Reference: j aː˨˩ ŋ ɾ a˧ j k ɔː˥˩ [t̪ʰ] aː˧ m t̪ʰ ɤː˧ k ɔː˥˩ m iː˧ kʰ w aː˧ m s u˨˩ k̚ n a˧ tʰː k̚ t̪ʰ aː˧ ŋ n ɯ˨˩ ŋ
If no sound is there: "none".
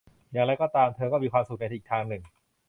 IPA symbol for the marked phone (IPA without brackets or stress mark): t̪